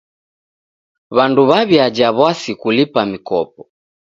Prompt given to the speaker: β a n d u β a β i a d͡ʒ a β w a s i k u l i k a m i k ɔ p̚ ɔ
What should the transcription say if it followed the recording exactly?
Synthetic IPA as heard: β a n d u β a β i a d͡ʒ a β w a s i k u l i p a m i k ɔ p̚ ɔ